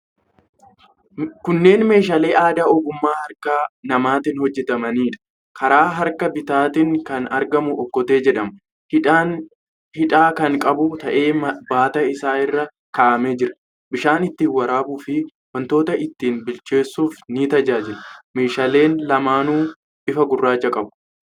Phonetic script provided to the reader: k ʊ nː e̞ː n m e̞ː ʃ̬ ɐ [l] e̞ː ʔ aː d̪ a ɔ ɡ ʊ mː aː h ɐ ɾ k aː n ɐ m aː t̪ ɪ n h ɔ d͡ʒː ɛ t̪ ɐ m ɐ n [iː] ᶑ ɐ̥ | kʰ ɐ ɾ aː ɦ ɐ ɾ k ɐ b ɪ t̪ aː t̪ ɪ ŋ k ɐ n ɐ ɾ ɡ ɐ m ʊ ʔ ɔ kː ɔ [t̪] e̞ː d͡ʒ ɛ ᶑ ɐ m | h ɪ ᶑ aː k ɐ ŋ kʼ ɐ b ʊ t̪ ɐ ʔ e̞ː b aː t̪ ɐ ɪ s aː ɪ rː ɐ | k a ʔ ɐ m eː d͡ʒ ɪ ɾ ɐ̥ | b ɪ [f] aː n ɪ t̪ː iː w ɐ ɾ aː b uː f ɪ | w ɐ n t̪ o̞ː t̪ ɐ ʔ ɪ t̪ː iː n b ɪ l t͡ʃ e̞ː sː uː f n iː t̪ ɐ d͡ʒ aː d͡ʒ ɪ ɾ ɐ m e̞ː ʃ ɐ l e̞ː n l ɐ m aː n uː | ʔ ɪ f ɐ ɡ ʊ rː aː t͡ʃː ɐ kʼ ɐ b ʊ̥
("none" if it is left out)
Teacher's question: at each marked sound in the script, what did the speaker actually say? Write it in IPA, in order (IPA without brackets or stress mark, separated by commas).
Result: l, iː, t̪, ʃ